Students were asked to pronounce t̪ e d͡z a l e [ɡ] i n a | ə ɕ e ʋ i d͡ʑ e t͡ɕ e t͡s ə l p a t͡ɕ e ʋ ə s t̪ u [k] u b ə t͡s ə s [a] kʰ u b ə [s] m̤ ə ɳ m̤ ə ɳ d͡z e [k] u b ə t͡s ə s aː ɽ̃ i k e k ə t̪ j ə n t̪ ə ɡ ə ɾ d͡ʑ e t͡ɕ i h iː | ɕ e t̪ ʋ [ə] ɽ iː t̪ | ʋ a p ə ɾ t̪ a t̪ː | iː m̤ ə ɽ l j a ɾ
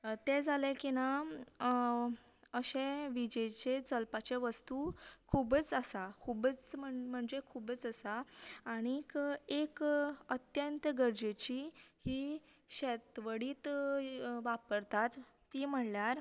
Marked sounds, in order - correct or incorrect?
incorrect: k, incorrect: kʰ, correct, incorrect: t͡s, incorrect: kʰ, correct

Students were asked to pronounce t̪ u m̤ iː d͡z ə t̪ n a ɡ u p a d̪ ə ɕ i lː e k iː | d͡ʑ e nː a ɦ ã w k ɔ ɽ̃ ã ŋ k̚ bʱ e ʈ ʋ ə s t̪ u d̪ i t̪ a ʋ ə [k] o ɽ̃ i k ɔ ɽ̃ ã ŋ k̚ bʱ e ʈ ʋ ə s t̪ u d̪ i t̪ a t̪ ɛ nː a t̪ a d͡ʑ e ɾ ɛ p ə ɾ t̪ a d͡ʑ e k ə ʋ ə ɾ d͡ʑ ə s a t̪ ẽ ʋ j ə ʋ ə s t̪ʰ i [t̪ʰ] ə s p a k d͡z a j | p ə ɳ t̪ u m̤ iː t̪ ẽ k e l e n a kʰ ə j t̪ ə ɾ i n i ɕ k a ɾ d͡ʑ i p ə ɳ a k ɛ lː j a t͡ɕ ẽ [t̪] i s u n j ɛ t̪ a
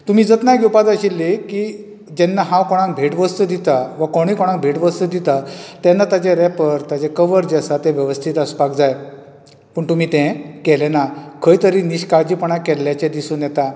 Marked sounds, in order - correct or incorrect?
correct, incorrect: t̪, incorrect: d̪

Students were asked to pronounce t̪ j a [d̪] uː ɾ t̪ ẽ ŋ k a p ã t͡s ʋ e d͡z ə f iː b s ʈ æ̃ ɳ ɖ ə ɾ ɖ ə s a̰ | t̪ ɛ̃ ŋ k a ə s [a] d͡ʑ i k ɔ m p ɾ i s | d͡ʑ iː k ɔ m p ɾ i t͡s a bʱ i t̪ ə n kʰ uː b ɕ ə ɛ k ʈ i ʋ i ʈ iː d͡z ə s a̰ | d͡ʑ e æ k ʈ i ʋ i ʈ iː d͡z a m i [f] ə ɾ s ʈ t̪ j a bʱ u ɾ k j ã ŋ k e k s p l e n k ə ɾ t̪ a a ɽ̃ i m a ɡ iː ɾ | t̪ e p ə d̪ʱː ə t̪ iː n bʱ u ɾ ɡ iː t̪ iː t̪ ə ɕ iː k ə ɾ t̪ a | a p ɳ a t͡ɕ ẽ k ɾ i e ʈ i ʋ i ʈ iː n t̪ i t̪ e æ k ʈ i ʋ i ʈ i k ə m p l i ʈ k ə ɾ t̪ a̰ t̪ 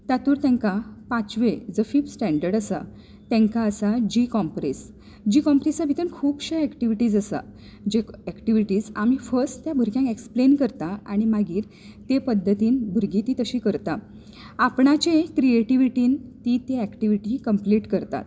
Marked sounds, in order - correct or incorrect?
incorrect: t̪, correct, correct

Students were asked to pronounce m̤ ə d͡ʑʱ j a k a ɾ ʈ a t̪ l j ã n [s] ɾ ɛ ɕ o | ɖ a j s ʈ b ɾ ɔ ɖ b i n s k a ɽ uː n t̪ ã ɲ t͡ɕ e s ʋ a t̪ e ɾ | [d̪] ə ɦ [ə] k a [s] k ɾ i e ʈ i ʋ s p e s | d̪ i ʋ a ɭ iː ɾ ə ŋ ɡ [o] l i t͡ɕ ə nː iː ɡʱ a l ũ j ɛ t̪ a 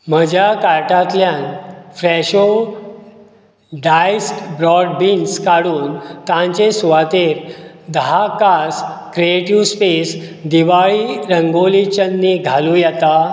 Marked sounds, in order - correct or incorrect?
incorrect: f, correct, incorrect: a, correct, correct

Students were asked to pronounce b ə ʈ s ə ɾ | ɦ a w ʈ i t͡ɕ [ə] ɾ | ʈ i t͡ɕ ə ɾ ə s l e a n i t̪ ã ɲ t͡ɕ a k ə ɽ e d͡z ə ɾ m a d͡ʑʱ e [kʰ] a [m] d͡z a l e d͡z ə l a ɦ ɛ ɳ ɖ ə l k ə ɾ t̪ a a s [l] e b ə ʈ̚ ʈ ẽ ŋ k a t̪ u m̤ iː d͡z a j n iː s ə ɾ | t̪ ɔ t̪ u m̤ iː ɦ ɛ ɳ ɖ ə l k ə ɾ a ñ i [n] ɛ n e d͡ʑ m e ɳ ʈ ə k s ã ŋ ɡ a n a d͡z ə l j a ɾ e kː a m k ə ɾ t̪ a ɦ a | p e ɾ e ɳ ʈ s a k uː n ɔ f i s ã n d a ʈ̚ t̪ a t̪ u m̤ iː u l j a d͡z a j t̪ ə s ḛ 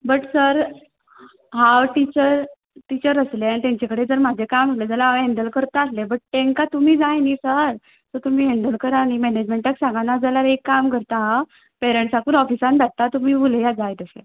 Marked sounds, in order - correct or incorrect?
correct, incorrect: k, correct, correct, incorrect: m

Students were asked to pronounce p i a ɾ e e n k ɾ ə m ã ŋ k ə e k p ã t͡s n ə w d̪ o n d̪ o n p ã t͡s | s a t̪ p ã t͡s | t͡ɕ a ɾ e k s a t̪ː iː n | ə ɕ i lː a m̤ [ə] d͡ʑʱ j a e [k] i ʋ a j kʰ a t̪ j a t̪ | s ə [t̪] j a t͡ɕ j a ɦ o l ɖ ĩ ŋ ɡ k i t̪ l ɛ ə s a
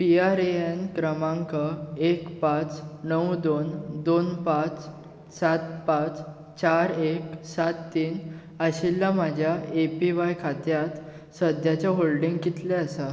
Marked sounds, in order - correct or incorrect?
incorrect: a, incorrect: p, incorrect: d̪

